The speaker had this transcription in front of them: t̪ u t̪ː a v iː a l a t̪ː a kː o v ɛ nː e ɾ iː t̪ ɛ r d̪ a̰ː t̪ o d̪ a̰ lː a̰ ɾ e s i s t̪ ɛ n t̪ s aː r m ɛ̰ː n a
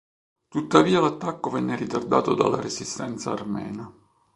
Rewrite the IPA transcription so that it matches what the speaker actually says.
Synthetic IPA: t̪ u t̪ː a v iː a l a t̪ː a kː o v ɛ nː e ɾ i t̪ a r d̪ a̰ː t̪ o d̪ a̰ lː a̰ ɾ e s i s t̪ ɛ n t̪ s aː r m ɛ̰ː n a

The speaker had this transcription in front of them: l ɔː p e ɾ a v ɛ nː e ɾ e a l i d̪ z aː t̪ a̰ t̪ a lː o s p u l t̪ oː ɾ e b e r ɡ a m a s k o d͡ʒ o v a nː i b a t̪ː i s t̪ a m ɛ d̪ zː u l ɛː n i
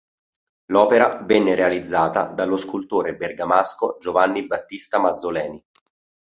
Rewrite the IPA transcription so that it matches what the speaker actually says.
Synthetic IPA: l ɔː p e ɾ a v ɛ nː e ɾ e a l i d̪ zː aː t̪ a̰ d̪ a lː o s k u l t̪ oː ɾ e b e r ɡ a m a s k o d͡ʒ o v a nː i b a t̪ː i s t̪ a m a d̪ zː o l ɛː n i

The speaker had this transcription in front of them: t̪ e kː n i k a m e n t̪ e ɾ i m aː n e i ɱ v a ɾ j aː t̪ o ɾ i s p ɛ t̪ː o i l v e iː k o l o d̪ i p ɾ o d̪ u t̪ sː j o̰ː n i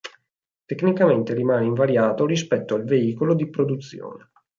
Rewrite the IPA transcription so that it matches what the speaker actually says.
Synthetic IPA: t̪ e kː n i k a m e n t̪ e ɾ i m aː n e i ɱ v a ɾ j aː t̪ o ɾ i s p ɛ t̪ː o a l v e iː k o l o d̪ i p ɾ o d̪ u t̪ sː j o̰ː n e

